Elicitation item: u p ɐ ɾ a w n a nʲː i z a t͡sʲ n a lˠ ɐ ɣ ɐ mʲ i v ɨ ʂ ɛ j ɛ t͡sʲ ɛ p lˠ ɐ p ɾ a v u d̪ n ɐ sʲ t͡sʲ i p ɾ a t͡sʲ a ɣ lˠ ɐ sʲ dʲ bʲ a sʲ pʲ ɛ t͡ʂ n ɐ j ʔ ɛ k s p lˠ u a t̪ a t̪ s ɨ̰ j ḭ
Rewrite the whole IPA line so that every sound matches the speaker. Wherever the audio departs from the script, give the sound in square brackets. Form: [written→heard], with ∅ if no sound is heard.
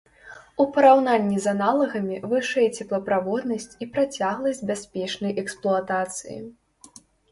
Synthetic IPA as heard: u p ɐ ɾ a w n a nʲː i z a [t͡sʲ→∅] n a lˠ ɐ ɣ ɐ mʲ i v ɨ ʂ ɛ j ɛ t͡sʲ ɛ p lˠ ɐ p ɾ a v [u→ɔ] d̪ n ɐ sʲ t͡sʲ i p ɾ a t͡sʲ a ɣ lˠ ɐ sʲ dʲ bʲ a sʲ pʲ ɛ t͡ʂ n ɐ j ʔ ɛ k s p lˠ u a t̪ a t̪ s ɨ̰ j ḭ